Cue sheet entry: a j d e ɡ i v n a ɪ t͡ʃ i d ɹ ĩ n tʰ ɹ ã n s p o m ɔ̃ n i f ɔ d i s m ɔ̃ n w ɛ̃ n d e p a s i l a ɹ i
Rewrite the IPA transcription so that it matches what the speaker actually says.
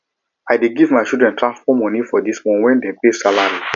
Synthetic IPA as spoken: a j d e ɡ i v m a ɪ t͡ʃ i d ɹ ɛ̃ n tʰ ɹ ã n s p ɔ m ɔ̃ n i f ɔ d i s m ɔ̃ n w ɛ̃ n d e p e s a l a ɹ i